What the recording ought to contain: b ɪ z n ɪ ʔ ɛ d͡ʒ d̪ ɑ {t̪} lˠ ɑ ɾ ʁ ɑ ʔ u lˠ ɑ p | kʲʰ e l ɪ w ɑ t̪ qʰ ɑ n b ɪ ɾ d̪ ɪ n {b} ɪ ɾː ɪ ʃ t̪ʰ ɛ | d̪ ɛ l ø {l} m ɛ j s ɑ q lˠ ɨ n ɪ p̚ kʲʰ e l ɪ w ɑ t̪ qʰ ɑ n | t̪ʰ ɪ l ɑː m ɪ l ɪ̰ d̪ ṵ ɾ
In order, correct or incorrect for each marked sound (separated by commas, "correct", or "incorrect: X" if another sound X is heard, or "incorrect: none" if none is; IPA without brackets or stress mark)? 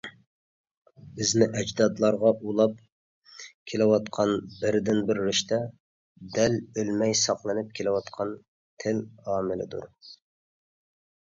incorrect: d̪, correct, correct